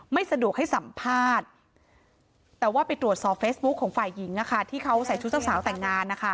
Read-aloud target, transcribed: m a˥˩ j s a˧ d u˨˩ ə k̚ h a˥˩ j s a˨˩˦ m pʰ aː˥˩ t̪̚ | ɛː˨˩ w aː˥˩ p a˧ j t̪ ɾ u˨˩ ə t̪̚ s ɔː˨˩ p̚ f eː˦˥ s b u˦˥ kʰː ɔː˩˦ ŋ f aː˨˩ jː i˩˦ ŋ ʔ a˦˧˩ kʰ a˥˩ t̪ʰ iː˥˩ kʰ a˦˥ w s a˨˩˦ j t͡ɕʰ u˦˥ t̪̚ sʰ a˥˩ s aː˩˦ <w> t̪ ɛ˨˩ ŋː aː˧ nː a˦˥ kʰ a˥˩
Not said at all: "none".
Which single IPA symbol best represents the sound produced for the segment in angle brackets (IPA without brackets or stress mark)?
w